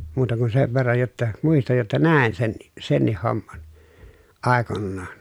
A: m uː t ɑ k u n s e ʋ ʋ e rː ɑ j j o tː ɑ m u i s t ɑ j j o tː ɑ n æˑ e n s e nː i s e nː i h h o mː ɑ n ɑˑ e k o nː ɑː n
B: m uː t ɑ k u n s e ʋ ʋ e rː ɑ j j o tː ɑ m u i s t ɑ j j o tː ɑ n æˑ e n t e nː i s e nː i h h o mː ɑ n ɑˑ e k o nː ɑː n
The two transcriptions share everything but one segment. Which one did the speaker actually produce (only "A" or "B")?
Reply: A